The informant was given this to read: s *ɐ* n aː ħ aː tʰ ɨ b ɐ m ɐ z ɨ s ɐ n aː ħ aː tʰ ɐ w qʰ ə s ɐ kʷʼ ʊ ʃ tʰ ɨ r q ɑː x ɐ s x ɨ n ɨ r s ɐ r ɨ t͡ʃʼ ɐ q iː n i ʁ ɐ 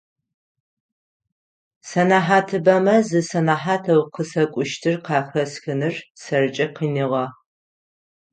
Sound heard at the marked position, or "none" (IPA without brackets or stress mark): ɐ